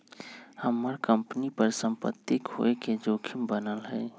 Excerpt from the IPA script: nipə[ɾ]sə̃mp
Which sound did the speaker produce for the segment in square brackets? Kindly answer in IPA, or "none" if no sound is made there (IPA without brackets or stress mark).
ɾ